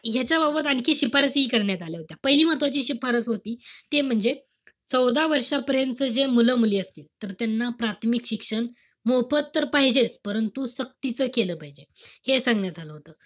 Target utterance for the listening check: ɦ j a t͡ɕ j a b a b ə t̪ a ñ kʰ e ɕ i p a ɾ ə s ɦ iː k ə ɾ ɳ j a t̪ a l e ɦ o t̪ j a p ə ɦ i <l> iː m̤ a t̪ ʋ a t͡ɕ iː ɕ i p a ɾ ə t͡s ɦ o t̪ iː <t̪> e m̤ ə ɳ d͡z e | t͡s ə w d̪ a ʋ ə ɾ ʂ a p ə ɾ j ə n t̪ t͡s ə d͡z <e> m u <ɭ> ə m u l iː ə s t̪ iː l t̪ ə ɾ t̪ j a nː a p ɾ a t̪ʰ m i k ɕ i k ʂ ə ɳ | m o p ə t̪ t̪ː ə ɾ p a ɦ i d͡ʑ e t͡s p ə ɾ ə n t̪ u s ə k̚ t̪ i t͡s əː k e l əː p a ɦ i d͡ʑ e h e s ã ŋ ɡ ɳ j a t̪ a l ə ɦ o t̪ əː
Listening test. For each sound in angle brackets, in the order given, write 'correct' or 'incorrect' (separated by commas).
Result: correct, correct, correct, incorrect